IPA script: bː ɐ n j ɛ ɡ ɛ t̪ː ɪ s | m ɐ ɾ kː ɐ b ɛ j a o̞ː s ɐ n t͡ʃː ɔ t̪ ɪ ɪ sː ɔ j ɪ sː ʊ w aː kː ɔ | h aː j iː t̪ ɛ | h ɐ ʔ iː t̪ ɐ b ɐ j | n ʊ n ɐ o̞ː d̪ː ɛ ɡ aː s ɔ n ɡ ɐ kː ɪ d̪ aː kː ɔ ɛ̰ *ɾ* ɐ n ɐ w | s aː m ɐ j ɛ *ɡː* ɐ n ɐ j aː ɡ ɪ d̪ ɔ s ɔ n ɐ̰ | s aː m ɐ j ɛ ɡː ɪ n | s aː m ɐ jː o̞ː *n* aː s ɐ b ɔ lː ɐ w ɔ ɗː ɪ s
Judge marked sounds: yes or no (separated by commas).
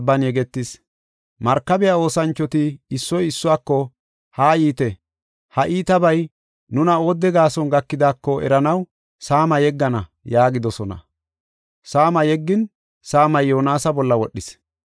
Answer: yes, yes, yes